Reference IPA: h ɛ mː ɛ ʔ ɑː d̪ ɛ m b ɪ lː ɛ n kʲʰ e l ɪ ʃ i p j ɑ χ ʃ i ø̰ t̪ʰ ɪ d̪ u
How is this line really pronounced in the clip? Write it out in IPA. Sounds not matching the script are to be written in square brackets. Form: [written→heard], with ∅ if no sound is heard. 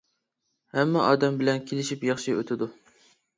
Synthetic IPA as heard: h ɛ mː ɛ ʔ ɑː d̪ ɛ m b ɪ [lː→l] ɛ n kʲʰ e l ɪ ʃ i p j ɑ χ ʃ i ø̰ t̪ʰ ɪ d̪ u